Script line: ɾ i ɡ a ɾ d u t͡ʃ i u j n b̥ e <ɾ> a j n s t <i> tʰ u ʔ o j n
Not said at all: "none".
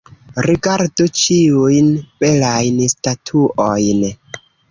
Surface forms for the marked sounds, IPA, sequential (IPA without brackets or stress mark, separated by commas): l, a